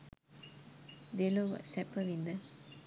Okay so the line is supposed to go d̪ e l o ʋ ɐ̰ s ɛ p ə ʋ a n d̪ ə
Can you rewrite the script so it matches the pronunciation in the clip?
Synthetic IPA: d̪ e l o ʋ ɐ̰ s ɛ p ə ʋ i n d̪ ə